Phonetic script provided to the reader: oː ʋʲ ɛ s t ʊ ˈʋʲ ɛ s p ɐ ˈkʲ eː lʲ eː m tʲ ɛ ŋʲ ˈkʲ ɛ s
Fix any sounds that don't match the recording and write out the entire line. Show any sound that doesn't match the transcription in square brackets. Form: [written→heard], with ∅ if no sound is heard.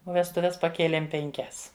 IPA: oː ʋʲ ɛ s t ʊ ˈʋʲ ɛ s p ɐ ˈkʲ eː lʲ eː m [tʲ→pʲ] ɛ ŋʲ ˈkʲ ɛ s